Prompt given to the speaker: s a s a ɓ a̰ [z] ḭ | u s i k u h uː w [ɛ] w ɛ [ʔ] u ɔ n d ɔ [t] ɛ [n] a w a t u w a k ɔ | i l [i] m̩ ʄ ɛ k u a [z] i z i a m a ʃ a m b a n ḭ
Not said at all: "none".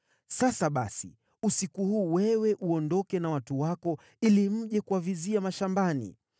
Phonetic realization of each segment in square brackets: s, ɛ, ʔ, k, n, i, v

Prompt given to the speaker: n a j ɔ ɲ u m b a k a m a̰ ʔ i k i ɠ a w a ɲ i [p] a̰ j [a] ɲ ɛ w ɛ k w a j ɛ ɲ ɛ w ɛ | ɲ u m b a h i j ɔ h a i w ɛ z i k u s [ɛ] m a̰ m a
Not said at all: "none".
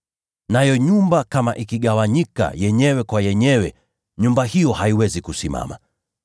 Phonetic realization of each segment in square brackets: k, ɛ, i

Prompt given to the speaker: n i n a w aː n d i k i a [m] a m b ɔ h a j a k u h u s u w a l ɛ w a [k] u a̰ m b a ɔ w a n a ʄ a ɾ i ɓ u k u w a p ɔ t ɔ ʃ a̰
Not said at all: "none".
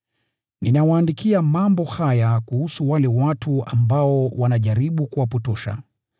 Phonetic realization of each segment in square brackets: m, t

